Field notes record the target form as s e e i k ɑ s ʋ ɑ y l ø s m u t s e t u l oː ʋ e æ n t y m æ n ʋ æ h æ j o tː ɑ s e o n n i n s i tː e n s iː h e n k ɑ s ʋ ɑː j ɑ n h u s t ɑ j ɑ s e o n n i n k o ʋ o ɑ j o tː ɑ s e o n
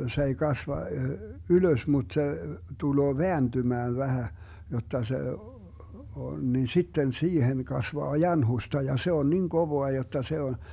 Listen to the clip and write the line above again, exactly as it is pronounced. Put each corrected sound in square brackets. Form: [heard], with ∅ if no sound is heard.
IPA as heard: s e e i k ɑ s ʋ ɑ y l ø s m u t s e t u l oː ʋ e æ n t y m [æː] n ʋ æ h æ j o tː ɑ s e o n n i n s i tː e n s iː h e n k ɑ s ʋ ɑː j ɑ n h u s t ɑ j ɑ s e o n n i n k o ʋ o ɑ j o tː ɑ s e o n